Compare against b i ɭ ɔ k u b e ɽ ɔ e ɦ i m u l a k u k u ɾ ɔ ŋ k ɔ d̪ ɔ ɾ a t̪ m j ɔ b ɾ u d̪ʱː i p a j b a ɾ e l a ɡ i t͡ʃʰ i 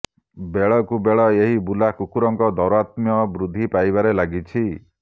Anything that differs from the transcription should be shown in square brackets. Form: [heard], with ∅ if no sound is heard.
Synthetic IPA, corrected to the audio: b [e] ɭ ɔ k u b e [ɭ] ɔ e ɦ i [b] u l a k u k u ɾ ɔ ŋ k ɔ d̪ ɔ ɾ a t̪ m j ɔ b ɾ u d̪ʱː i p a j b a ɾ e l a ɡ i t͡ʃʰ i